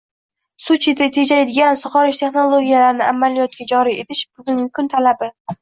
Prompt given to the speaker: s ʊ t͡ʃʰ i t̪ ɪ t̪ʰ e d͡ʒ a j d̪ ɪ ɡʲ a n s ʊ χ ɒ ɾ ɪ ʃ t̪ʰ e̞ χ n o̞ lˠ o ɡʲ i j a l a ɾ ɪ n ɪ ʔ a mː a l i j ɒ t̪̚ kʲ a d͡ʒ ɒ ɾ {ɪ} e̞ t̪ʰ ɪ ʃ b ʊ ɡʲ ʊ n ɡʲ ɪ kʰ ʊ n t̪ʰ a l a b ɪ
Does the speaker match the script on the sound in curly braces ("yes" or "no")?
no